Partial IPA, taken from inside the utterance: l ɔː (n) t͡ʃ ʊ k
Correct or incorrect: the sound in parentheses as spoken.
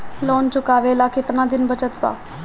correct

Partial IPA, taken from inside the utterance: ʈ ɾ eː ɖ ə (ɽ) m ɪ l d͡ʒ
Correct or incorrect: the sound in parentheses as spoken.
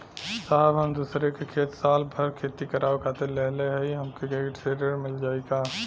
incorrect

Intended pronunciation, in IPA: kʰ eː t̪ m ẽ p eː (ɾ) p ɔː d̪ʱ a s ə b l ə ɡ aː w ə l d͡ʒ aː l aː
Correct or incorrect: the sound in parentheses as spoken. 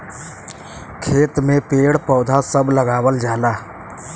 incorrect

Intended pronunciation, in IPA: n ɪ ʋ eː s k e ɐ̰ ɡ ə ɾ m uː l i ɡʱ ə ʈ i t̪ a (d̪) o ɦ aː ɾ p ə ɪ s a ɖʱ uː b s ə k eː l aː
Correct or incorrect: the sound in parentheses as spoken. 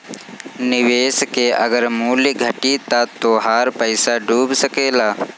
incorrect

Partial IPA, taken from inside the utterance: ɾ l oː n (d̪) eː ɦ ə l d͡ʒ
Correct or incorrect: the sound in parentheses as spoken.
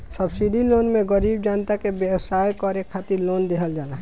correct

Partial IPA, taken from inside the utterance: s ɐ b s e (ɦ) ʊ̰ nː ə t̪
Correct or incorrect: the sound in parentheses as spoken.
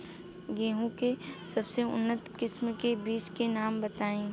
incorrect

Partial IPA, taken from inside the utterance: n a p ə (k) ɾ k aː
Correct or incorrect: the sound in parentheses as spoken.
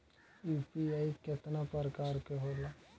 incorrect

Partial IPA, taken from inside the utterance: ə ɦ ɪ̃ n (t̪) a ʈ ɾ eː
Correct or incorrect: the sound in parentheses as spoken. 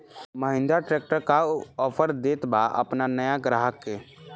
incorrect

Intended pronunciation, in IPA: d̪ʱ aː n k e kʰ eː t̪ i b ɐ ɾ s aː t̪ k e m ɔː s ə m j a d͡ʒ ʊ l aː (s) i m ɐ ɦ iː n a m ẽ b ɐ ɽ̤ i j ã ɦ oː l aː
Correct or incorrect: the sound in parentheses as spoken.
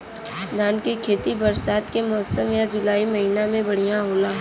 incorrect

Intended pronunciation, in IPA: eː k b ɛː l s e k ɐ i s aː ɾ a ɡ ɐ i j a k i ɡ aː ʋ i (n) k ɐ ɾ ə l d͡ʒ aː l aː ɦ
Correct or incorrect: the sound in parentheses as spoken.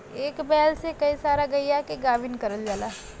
correct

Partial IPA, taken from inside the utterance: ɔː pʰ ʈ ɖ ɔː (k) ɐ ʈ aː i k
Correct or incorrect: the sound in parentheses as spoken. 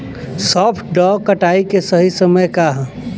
correct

